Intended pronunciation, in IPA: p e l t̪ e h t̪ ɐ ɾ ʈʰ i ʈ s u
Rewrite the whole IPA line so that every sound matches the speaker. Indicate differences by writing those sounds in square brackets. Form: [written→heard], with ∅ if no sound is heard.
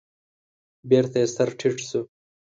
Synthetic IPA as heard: [p→b] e [l→ɾ] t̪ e [h→s] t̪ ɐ ɾ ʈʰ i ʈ s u